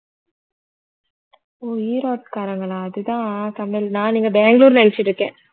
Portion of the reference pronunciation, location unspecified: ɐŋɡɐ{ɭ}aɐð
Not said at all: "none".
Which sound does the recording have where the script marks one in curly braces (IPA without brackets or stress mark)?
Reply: ɭ